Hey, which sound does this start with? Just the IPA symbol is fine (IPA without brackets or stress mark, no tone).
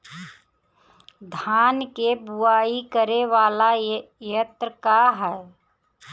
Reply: d̪ʱ